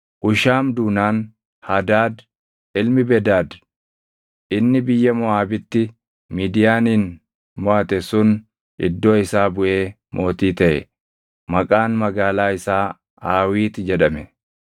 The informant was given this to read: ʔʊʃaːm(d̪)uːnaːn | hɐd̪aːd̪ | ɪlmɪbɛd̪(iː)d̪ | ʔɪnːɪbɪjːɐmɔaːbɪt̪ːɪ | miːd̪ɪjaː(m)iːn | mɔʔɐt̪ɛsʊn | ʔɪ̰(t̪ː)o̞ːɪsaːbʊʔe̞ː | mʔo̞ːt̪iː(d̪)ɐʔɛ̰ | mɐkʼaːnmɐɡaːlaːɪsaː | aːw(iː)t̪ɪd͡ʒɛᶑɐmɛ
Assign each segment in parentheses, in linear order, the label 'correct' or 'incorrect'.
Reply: correct, incorrect, incorrect, incorrect, incorrect, correct

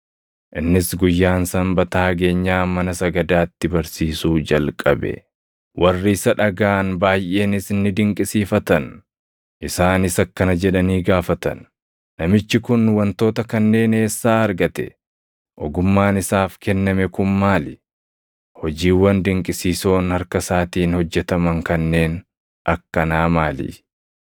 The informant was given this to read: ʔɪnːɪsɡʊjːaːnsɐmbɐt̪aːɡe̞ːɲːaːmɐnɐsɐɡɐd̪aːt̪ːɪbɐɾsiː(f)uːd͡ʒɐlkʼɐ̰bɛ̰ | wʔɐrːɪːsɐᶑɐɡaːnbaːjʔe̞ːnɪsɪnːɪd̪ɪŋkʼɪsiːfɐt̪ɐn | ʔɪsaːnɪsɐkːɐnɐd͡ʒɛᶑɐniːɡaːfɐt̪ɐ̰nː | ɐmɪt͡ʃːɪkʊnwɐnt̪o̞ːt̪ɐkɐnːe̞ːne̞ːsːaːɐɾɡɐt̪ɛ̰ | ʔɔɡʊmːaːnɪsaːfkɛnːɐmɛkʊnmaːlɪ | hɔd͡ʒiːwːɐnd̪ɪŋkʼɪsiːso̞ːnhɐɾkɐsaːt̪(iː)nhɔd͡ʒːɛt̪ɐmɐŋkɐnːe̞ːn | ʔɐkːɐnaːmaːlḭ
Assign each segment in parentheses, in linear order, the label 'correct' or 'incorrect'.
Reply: incorrect, correct

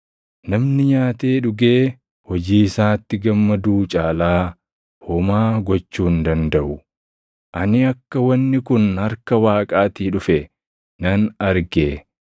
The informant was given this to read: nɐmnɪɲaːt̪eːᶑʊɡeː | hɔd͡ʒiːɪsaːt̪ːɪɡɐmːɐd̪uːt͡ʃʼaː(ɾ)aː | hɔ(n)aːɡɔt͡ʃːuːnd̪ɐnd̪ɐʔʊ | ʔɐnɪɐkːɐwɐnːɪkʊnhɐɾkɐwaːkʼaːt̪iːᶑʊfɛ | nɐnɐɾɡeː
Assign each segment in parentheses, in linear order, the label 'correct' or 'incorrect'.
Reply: incorrect, incorrect

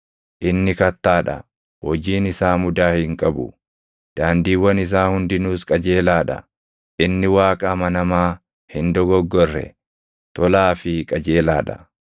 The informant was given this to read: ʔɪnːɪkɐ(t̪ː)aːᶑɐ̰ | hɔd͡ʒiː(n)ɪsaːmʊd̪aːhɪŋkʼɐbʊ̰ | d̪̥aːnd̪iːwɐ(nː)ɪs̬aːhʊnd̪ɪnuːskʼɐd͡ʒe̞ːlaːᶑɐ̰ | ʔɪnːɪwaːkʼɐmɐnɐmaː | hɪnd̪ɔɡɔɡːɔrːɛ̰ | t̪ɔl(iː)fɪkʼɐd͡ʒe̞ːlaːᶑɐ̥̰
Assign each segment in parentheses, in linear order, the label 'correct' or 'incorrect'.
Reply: correct, correct, incorrect, incorrect

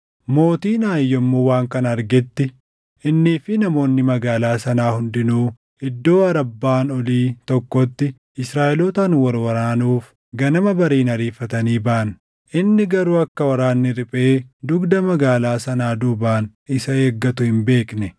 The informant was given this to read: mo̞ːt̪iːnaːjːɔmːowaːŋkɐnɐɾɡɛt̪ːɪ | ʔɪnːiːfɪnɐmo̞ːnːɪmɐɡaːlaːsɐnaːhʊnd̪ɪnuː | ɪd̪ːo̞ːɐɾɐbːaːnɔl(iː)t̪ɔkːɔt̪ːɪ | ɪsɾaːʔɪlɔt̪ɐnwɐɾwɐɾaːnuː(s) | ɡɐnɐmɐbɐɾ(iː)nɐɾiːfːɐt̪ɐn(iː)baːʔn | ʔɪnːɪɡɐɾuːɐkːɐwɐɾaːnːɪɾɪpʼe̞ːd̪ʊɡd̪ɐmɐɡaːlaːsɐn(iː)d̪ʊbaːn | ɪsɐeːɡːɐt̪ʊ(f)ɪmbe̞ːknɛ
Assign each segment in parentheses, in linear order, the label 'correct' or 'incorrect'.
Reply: correct, incorrect, correct, correct, incorrect, incorrect

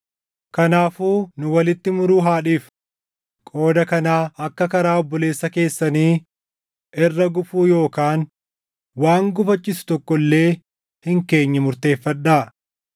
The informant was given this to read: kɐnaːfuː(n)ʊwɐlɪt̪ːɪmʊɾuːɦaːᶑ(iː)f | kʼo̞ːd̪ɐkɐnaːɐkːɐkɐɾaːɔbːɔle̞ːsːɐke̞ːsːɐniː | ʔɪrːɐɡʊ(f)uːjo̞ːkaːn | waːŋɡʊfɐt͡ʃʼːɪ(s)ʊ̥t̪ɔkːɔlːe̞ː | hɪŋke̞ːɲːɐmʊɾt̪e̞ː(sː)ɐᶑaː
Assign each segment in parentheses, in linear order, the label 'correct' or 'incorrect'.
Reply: correct, correct, correct, correct, incorrect

